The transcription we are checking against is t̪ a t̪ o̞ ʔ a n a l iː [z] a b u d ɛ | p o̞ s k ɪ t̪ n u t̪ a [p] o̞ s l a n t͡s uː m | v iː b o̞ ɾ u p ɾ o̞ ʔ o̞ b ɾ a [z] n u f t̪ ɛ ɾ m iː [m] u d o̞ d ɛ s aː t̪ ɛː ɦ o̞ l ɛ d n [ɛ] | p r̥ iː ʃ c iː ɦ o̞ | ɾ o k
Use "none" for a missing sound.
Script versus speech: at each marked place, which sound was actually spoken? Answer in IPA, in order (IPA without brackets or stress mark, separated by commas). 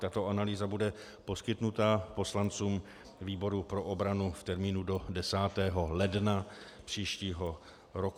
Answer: z, p, none, n, a